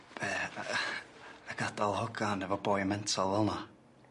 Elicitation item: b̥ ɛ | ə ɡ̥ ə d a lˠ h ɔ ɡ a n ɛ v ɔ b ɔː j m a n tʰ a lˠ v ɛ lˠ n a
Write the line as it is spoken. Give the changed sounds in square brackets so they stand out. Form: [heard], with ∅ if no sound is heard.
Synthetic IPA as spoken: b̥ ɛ | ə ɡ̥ [a] d a lˠ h ɔ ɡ a n ɛ v ɔ b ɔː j m [ɛ] n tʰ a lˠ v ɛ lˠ n a